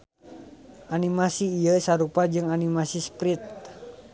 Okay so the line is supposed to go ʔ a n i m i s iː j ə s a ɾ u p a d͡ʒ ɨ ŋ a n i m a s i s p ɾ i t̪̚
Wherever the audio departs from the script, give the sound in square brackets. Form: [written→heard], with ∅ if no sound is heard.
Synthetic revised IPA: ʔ a n i m [i→a] s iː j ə s a ɾ u p a d͡ʒ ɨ ŋ a n i m a s i s p ɾ i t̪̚